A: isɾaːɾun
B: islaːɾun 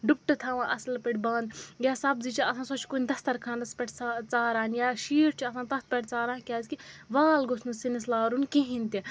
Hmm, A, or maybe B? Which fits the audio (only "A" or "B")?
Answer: B